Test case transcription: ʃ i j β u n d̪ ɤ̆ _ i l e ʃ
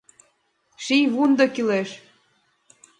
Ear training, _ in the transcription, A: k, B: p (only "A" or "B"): A